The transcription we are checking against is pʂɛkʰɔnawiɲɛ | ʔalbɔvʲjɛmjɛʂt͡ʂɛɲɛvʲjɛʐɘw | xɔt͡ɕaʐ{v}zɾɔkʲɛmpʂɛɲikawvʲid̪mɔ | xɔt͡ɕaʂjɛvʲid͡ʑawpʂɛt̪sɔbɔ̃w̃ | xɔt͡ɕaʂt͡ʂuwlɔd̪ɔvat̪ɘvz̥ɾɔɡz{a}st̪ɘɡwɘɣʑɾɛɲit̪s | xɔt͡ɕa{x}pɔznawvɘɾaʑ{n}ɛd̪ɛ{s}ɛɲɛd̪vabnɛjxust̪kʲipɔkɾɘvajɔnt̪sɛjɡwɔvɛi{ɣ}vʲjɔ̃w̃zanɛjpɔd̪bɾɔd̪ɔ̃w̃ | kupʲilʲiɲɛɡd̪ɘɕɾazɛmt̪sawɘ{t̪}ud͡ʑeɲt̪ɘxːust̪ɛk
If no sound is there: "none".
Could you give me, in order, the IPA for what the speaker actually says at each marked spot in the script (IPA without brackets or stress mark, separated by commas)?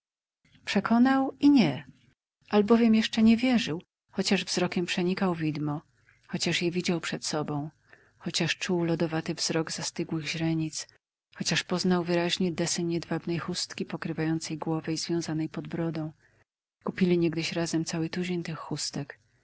v, a, ʂ, ɲ, s, z, t̪